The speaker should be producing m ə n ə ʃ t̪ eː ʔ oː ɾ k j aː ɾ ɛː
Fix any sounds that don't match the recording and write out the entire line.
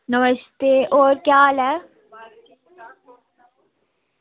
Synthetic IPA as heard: n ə m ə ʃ t̪ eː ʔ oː ɾ k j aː l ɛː